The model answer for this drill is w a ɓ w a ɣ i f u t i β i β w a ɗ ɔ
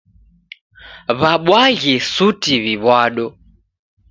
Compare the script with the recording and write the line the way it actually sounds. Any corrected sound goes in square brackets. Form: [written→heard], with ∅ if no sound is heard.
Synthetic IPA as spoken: [w→β] a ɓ w a ɣ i [f→s] u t i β i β w a ɗ ɔ